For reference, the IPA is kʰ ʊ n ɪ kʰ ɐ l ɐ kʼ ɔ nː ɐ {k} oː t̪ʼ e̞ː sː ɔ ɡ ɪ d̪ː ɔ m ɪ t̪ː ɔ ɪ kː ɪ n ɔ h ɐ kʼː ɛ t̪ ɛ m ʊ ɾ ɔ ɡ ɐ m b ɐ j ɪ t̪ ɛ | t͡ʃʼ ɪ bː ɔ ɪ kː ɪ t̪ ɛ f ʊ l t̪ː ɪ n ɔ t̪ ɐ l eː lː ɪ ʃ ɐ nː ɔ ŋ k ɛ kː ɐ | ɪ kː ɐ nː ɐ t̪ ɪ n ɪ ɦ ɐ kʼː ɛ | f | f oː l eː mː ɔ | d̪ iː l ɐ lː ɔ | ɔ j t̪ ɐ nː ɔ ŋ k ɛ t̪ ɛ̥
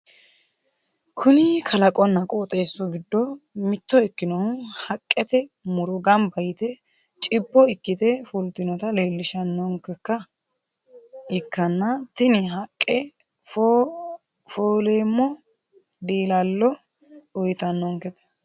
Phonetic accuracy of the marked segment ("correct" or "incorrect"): incorrect